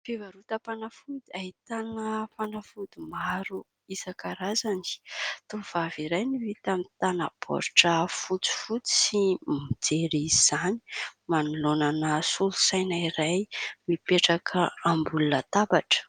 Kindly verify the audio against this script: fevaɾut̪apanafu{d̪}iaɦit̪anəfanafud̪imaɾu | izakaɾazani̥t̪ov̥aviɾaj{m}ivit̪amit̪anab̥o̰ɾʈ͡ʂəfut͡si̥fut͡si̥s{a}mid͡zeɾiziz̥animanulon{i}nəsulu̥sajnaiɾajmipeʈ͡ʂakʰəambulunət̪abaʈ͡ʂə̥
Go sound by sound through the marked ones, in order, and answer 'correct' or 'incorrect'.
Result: correct, incorrect: n, incorrect: i, incorrect: a

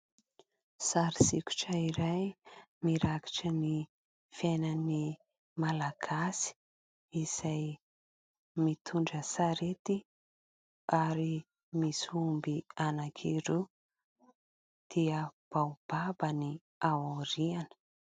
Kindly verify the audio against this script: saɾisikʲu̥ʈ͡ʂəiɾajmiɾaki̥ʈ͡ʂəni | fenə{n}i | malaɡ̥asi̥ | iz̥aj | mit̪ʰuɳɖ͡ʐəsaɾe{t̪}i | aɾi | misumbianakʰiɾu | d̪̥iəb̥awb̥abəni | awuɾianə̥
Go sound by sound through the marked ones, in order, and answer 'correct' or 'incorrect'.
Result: correct, correct

